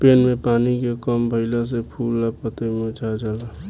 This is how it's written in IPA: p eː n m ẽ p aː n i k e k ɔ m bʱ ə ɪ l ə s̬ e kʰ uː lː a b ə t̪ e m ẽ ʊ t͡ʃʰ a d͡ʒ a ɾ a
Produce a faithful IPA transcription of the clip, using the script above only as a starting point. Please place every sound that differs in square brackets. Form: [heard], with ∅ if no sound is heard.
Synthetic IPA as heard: p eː n m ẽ p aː n i k e k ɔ m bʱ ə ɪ l [a] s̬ e [pʰ] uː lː a [p] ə t̪ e m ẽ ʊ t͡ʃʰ a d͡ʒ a [l] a